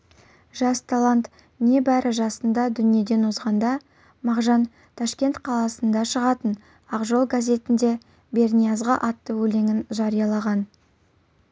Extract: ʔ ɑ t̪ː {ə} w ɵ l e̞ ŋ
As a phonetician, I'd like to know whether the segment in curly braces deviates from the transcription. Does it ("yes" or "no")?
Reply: no